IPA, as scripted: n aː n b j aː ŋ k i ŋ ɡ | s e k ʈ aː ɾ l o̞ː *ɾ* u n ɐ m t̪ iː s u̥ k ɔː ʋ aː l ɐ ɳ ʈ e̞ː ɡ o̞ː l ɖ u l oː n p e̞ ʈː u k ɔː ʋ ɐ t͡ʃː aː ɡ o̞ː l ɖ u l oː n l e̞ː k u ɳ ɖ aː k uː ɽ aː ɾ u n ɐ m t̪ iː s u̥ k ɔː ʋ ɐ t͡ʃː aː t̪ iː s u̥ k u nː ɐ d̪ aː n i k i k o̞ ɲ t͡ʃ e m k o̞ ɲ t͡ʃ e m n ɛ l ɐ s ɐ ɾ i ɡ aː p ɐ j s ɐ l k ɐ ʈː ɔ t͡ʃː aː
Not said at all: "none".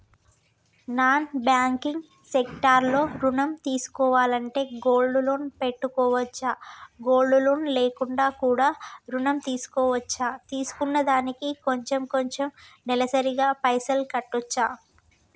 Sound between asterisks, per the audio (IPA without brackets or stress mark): ɾ